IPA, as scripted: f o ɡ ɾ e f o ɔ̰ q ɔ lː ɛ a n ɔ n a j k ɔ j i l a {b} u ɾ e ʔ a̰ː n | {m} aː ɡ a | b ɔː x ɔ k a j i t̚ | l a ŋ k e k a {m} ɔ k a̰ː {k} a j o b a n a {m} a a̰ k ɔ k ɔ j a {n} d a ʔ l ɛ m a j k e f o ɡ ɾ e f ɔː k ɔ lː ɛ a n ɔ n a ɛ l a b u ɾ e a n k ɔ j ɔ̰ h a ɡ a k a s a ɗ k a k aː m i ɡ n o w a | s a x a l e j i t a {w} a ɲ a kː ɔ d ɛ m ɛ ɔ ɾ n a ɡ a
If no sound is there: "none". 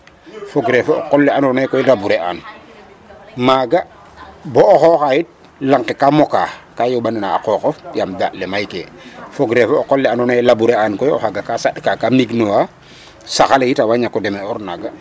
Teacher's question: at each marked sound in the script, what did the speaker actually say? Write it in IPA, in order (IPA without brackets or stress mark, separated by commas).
b, m, m, k, n, m, w